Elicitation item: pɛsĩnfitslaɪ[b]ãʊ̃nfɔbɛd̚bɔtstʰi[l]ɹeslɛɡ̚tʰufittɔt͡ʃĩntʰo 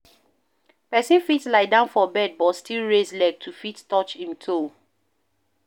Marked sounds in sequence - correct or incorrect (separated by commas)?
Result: incorrect, correct